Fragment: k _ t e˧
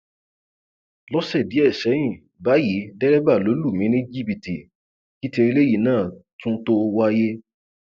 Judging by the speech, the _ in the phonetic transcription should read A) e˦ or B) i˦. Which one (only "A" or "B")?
B